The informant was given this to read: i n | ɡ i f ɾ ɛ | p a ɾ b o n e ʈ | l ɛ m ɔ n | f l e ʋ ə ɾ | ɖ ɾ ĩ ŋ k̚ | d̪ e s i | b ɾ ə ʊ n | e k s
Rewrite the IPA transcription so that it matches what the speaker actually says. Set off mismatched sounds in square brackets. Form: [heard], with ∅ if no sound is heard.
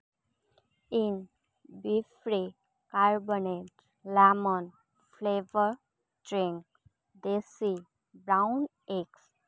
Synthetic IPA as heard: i n | [b] i f ɾ [i] | [k] a ɾ b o n e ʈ | l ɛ m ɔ n | f l e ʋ ə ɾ | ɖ ɾ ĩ ŋ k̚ | d̪ e s i | b ɾ [a] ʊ n | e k s